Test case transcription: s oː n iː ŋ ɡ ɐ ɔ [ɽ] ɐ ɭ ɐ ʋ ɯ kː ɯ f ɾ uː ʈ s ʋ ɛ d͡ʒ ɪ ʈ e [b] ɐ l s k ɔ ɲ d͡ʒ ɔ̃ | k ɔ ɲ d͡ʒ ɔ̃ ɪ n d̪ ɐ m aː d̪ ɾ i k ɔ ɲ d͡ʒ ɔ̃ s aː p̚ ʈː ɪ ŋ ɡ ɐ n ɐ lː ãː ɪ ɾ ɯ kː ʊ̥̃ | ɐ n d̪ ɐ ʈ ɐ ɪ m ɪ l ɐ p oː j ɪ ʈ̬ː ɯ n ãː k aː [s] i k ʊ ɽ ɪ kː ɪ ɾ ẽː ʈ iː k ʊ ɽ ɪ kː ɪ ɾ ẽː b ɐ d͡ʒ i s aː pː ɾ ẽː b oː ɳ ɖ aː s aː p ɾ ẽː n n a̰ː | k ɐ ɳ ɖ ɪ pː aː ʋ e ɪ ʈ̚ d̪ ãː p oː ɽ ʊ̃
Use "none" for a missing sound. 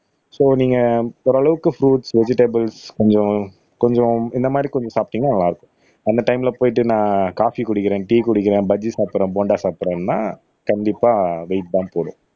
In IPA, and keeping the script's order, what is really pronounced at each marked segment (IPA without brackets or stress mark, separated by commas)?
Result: ɾ, b, f